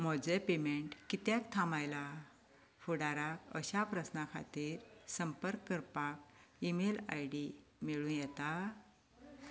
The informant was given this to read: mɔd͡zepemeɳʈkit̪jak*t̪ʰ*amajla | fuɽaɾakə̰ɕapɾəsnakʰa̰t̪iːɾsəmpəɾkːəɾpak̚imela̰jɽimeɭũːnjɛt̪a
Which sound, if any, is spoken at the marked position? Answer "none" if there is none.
t̪ʰ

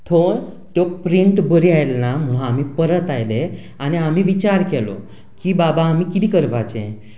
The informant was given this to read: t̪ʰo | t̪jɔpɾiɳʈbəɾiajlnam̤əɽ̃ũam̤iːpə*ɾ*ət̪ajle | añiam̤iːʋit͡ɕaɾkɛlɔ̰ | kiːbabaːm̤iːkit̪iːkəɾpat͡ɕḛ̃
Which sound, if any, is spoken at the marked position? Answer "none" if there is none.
ɾ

